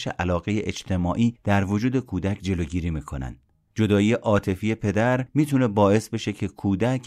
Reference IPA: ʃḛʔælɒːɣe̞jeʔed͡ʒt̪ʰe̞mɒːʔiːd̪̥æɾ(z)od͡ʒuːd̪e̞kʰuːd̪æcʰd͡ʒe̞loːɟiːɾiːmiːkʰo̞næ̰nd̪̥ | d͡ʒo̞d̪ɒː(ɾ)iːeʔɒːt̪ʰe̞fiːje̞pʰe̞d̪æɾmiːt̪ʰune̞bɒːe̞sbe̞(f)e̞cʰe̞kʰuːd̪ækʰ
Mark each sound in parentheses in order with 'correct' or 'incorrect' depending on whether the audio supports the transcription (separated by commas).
incorrect, incorrect, incorrect